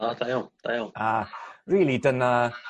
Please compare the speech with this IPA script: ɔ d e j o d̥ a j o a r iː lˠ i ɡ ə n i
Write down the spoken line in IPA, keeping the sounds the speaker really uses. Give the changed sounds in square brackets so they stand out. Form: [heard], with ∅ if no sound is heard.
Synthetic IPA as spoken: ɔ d [a] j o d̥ a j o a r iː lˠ i [d] ə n [a]